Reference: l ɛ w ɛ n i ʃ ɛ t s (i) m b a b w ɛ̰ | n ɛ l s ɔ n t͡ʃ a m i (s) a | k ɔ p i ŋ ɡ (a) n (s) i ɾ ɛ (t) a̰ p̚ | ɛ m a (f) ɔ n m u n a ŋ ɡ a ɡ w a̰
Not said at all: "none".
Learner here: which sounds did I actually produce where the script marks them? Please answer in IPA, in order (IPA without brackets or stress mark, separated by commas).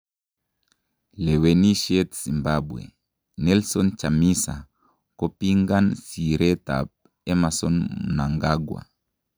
i, s, a, s, t, s